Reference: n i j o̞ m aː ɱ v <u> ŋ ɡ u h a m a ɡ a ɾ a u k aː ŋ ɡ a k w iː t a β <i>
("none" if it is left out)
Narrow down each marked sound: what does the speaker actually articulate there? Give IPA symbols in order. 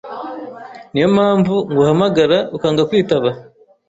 u, a

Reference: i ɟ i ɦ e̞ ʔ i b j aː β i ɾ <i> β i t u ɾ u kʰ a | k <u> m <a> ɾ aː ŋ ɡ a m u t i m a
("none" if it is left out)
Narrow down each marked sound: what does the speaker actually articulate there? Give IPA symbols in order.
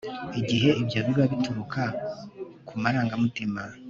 a, u, a

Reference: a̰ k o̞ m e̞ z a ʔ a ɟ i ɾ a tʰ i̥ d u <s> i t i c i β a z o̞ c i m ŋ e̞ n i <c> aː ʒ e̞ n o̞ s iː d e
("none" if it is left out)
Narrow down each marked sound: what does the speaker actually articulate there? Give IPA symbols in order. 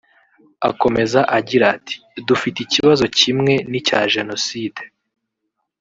f, c

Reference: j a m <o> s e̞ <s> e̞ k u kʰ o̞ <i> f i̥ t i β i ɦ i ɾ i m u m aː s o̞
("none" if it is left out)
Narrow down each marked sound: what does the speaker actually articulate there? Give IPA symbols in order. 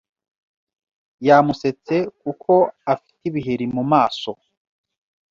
u, t͡s, a

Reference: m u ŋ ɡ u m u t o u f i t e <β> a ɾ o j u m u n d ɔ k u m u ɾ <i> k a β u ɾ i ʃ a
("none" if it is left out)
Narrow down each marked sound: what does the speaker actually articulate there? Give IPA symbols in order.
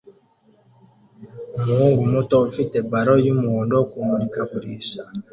b, i

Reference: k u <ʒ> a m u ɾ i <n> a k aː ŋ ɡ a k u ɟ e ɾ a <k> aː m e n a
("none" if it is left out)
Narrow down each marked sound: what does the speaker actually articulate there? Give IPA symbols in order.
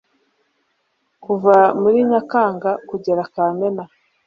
v, ɲ, k

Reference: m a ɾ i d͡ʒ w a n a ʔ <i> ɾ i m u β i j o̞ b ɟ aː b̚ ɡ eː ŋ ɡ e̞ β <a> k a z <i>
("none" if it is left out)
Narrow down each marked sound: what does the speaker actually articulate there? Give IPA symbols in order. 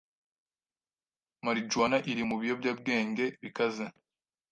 i, i, e

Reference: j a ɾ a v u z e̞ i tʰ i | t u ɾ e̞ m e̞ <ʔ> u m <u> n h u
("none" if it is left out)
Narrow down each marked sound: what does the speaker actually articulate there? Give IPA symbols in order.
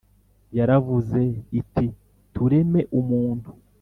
ʔ, uː

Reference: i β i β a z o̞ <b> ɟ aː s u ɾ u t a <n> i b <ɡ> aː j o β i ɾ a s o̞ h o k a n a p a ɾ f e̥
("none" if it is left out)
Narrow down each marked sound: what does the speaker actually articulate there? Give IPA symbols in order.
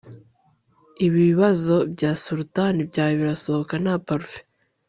b, n, ɟ

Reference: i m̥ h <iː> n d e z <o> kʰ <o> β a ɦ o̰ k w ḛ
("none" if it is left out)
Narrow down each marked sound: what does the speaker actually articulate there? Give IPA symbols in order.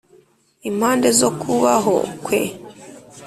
aː, o, u

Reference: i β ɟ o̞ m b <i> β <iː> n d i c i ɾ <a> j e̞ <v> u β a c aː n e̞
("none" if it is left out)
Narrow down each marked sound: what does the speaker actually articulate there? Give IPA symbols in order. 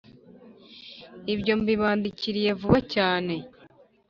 i, aː, i, v

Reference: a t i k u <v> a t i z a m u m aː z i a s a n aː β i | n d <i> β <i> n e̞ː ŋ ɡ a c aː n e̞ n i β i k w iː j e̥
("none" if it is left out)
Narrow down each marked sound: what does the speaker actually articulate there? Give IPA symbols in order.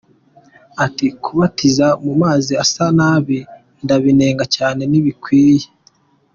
β, a, i

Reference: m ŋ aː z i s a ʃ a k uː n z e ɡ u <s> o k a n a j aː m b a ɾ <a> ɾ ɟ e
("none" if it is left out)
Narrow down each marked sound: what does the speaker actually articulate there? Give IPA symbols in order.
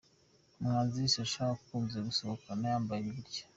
s, i

